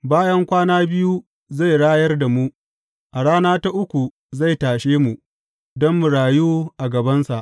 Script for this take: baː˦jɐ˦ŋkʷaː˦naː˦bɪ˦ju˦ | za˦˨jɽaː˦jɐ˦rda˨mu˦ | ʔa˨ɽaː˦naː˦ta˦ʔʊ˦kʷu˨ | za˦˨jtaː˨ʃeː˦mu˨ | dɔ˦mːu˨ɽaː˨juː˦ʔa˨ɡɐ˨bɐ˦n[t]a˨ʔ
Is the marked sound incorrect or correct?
incorrect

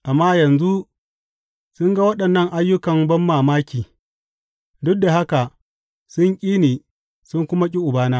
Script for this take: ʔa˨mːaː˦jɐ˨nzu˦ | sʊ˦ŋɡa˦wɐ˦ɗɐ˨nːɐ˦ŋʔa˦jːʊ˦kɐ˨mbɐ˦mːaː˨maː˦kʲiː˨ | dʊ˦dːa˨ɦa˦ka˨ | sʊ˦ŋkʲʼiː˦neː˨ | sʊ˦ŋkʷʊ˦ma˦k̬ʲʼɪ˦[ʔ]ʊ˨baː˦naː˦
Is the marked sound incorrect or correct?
correct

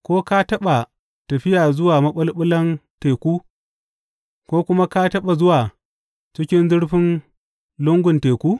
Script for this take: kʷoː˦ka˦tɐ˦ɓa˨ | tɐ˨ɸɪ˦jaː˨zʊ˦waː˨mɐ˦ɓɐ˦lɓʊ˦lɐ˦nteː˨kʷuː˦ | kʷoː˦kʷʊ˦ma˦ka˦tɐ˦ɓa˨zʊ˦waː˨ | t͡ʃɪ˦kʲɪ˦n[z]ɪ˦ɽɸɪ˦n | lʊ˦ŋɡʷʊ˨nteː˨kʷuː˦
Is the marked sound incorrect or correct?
correct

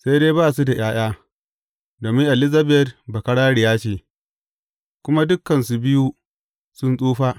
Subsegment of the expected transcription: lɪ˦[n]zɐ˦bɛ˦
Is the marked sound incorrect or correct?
incorrect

